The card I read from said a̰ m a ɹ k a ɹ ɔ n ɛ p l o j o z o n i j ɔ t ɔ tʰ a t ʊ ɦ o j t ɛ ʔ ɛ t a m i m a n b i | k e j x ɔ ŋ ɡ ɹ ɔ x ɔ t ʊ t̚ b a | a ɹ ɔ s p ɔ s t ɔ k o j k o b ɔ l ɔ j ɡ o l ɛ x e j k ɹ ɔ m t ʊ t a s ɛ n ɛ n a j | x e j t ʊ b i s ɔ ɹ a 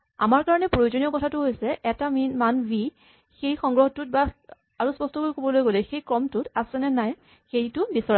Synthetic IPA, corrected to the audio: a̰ m a ɹ k a ɹ ɔ n ɛ p ɹ o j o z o n i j ɔ k ɔ tʰ a t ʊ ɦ o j s ɛ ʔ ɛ t a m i m a n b i | x e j x ɔ ŋ ɡ ɹ ɔ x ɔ t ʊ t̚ b a | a ɹ u s p ɔ s t ɔ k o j k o b ɔ l o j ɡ o l ɛ x e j k ɹ ɔ m t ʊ t a s ɛ n ɛ n a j | x e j t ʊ b i s ɔ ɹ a

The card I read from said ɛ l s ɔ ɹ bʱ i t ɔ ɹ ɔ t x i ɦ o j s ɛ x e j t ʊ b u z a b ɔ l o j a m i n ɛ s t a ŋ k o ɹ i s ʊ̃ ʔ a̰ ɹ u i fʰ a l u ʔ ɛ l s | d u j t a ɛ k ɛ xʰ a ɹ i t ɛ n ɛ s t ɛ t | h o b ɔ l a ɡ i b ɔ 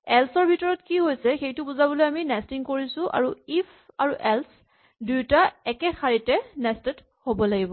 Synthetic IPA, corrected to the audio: ɛ l s ɔ ɹ bʱ i t ɔ ɹ ɔ t k i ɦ o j s ɛ x e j t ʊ b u z a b ɔ l o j a m i n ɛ s t i ŋ k o ɹ i s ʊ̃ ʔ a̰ ɹ u i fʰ a ɹ u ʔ ɛ l s | d u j t a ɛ k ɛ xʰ a ɹ i t ɛ n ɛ s t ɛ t | h o b ɔ l a ɡ i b ɔ

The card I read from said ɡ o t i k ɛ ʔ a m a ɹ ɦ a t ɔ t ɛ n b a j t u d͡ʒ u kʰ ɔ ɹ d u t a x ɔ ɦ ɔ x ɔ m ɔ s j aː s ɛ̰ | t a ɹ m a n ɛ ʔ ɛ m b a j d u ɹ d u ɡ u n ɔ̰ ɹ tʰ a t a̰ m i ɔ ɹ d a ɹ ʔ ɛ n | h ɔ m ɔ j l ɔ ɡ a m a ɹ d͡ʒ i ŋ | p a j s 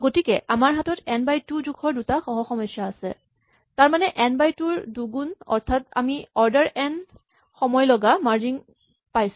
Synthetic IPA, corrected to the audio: ɡ o t i k ɛ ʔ a m a ɹ ɦ a t ɔ t ɛ n b a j t u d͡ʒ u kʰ ɔ ɹ d u t a x ɔ ɦ ɔ x ɔ m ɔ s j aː s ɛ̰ | t a ɹ m a n ɛ ʔ ɛ n b a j t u ɹ d u ɡ u n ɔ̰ ɹ tʰ a t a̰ m i ɔ ɹ d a ɹ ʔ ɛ n | x ɔ m ɔ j l ɔ ɡ a m a ɹ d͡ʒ i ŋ | p a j s

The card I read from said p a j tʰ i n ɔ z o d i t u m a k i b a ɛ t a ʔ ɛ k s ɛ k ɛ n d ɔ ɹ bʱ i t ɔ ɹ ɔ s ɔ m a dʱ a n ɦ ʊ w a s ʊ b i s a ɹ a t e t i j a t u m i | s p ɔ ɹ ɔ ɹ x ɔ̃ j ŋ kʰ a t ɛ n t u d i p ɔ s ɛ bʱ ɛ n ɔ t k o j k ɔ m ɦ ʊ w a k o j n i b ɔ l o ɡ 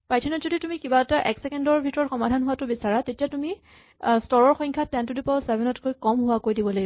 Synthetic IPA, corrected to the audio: p a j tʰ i n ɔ z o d i t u m i k i b a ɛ t a ʔ ɛ k s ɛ k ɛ n d ɔ ɹ bʱ i t ɔ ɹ ɔ x ɔ m a dʱ a n ɦ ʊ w a t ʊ b i s a ɹ a t e t i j a t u m i | s t ɔ ɹ ɔ ɹ x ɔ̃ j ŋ kʰ a t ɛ n t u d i p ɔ s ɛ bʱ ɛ n ɔ t k o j k ɔ m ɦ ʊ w a k o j d i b ɔ l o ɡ

